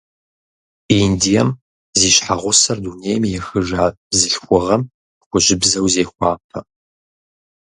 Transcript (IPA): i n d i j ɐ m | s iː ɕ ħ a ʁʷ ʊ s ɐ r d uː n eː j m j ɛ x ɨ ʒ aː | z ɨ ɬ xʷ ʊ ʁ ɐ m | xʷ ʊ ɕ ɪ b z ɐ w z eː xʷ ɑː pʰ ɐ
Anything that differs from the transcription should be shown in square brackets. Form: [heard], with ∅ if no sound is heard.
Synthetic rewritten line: i n d i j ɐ m | [z] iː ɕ ħ a ʁʷ ʊ s ɐ r d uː n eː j m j ɛ x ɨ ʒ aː | z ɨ ɬ xʷ ʊ ʁ ɐ m | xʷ ʊ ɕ ɪ b z ɐ w z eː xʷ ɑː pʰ ɐ

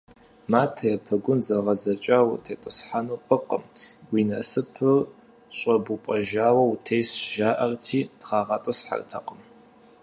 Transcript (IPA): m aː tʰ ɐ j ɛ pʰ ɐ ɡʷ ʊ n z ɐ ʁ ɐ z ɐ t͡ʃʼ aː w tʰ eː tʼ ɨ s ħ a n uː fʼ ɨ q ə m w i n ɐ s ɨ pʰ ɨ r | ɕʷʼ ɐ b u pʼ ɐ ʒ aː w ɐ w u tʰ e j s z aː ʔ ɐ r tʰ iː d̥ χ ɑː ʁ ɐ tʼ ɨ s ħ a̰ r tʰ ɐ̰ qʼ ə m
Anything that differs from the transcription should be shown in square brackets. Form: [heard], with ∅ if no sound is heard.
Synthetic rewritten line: m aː tʰ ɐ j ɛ pʰ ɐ ɡʷ ʊ n z ɐ ʁ ɐ z ɐ t͡ʃʼ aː w tʰ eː tʼ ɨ s ħ a n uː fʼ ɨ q ə m w i n ɐ s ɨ pʰ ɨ r | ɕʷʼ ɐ b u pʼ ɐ ʒ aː w ɐ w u tʰ e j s [ʒ] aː ʔ ɐ r tʰ iː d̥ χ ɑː ʁ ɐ tʼ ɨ s ħ a̰ r tʰ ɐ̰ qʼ ə m

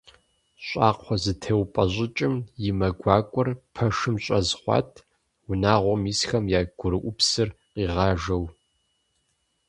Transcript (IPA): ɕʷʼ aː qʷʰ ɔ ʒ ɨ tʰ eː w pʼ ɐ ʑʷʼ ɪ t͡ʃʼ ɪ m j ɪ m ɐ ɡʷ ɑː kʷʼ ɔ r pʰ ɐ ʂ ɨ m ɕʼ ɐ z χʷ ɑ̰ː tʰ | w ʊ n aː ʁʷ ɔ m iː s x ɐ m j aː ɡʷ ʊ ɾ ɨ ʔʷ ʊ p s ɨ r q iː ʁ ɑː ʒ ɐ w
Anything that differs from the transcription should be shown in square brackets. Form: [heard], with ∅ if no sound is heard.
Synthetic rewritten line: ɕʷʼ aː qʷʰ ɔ [z] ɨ tʰ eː w pʼ ɐ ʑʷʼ ɪ t͡ʃʼ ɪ m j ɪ m ɐ ɡʷ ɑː kʷʼ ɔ r pʰ ɐ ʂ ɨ m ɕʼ ɐ z χʷ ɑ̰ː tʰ | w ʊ n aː ʁʷ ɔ m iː s x ɐ m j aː ɡʷ ʊ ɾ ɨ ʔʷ ʊ p s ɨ r q iː ʁ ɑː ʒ ɐ w

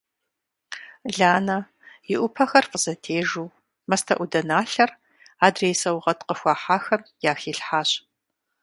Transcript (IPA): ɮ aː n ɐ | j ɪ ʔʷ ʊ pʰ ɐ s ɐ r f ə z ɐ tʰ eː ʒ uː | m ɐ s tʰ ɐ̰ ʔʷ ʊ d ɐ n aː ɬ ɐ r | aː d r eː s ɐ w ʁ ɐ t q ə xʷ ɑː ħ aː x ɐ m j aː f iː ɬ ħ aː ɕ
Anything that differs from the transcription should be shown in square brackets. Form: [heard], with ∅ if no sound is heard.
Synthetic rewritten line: ɮ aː n ɐ | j ɪ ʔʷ ʊ pʰ ɐ [x] ɐ r f ə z ɐ tʰ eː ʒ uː | m ɐ s tʰ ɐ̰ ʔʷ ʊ d ɐ n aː ɬ ɐ r | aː d r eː s ɐ w ʁ ɐ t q ə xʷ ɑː ħ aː x ɐ m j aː [x] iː ɬ ħ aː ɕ

